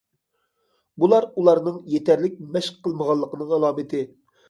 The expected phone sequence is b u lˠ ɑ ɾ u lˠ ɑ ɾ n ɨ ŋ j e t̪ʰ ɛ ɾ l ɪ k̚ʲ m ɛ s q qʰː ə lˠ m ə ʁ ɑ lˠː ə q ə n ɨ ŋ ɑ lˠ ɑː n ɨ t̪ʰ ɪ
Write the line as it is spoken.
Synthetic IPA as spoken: b u lˠ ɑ ɾ u lˠ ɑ ɾ n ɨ ŋ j e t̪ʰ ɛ ɾ l ɪ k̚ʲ m ɛ ʃ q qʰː ə lˠ m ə ʁ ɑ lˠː ə q ə n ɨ ŋ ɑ lˠ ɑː m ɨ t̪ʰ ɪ